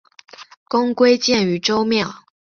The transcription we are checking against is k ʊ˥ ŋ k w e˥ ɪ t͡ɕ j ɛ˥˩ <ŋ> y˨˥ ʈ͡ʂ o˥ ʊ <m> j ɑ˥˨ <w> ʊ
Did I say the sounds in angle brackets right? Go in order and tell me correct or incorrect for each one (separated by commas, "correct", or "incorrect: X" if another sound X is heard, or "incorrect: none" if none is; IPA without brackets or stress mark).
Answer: incorrect: n, correct, incorrect: none